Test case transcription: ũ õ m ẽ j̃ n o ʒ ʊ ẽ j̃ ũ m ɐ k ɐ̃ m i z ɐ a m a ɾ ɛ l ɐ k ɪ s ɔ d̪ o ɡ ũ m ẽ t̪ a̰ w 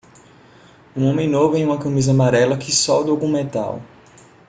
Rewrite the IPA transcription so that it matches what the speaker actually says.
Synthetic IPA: ũ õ m ẽ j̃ n o v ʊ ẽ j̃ ũ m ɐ k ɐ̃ m i z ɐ a m a ɾ ɛ l ɐ k ɪ s ɔ d̪ o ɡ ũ m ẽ t̪ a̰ w